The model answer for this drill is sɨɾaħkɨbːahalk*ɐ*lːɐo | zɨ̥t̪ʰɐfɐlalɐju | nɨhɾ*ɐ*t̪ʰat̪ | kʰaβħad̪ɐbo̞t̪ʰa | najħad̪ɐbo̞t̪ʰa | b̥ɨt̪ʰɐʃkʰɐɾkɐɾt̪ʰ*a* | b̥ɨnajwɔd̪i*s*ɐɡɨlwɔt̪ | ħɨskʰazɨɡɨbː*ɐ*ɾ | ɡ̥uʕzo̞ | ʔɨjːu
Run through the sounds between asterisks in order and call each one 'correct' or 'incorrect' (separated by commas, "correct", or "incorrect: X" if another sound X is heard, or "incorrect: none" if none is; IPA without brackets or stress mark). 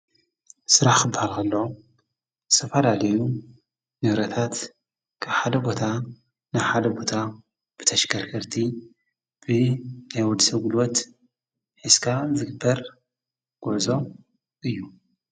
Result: correct, correct, incorrect: i, correct, correct